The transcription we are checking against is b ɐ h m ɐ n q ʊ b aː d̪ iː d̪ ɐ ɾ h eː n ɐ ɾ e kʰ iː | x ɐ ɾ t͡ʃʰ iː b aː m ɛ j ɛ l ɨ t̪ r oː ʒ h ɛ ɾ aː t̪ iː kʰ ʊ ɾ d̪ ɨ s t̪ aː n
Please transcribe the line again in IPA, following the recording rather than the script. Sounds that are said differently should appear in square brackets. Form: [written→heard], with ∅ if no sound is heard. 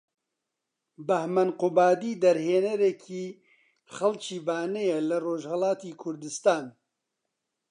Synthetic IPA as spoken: b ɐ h m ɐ n q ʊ b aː d̪ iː d̪ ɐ ɾ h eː n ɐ ɾ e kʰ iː | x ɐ [ɾ→l] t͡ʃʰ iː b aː [m→n] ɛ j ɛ l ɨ [t̪→∅] r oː ʒ h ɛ [ɾ→l] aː t̪ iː kʰ ʊ ɾ d̪ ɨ s t̪ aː n